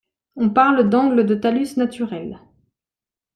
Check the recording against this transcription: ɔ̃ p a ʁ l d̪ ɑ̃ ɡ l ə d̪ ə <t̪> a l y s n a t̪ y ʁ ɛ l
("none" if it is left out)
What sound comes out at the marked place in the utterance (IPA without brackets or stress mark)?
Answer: t̪